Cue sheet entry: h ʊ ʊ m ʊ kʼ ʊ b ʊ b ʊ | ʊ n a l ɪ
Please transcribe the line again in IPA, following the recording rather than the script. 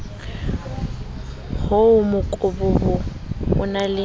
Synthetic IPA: h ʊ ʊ m ʊ kʼ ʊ b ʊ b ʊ | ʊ n a l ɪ